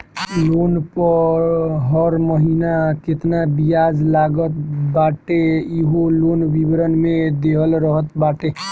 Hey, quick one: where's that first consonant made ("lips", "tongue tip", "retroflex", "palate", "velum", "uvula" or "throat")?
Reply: tongue tip